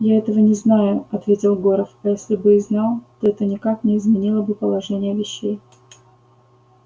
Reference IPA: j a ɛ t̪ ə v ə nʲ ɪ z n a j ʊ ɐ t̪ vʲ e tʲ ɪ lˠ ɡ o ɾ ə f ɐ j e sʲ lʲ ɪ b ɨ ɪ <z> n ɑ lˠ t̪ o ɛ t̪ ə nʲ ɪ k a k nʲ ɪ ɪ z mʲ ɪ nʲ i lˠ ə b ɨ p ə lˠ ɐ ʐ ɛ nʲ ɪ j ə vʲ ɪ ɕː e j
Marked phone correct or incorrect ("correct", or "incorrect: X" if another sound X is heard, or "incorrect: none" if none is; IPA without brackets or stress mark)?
correct